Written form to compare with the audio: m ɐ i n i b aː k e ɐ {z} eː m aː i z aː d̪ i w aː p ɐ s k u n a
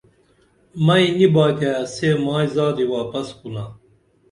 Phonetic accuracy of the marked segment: incorrect: s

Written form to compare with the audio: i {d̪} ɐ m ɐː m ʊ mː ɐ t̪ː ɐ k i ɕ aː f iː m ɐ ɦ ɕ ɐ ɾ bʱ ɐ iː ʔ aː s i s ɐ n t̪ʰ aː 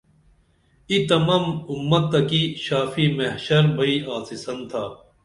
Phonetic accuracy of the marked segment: incorrect: t̪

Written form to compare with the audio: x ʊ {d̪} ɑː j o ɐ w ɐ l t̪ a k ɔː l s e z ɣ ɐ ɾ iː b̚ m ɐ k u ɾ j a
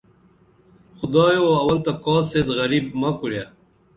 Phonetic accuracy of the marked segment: correct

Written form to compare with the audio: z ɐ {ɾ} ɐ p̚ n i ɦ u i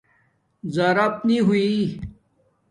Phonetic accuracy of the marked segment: correct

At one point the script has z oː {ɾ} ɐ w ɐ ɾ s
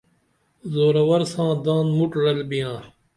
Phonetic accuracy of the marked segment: correct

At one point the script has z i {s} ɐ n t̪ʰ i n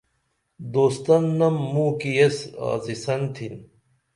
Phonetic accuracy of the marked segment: correct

